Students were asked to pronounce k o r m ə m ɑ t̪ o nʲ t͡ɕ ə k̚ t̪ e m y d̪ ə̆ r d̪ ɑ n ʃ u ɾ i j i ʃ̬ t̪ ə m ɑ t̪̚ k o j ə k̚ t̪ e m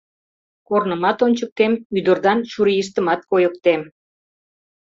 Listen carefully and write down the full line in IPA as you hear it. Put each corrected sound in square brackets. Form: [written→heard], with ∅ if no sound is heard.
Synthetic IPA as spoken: k o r [m→n] ə m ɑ t̪ o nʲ t͡ɕ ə k̚ t̪ e m y d̪ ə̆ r d̪ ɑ n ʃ u ɾ i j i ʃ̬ t̪ ə m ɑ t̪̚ k o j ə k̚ t̪ e m